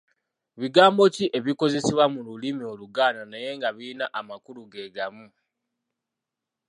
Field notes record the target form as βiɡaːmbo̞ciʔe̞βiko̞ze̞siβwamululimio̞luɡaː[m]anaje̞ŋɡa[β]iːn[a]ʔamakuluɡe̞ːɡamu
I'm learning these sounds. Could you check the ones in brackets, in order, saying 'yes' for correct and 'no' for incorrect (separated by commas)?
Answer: no, yes, yes